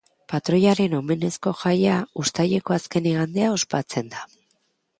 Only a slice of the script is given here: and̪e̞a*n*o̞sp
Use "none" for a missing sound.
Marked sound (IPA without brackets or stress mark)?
none